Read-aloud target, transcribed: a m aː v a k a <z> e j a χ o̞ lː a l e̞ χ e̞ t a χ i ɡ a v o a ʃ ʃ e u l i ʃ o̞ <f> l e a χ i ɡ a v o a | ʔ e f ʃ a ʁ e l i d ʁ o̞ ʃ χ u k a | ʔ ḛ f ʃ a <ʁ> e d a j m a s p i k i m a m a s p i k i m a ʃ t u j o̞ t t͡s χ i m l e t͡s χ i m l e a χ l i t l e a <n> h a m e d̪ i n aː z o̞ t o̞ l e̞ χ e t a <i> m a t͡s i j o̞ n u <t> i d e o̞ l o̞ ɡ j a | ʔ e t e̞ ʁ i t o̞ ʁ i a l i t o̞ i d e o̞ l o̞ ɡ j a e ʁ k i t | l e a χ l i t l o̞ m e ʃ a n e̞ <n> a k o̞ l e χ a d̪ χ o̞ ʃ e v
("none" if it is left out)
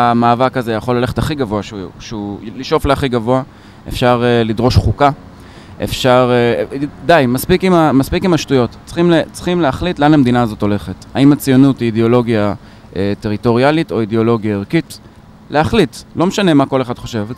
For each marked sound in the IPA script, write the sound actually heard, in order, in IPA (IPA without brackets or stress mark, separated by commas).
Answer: z, f, ʁ, n, i, t, m